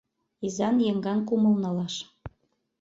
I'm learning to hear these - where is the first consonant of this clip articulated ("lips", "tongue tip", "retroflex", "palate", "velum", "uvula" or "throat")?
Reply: tongue tip